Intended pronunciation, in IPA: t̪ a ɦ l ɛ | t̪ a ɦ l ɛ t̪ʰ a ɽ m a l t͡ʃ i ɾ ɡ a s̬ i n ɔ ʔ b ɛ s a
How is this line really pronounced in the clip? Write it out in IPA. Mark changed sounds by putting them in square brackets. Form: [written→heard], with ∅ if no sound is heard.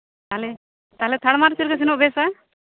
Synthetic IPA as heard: t̪ a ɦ l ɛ | t̪ a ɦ l ɛ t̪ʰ a ɽ m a [l→ɾ] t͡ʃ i ɾ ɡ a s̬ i n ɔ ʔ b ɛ s a